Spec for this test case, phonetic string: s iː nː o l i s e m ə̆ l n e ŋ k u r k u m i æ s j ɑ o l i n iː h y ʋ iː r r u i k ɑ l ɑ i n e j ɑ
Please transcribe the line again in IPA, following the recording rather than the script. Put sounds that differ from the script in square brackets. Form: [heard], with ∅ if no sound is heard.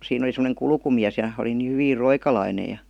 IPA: s iː [n] o l i s e m ə̆ [∅] n e ŋ k u [l] k u m i æ s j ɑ o l i n iː h y ʋ iː r r [o] i k ɑ l ɑ i n e j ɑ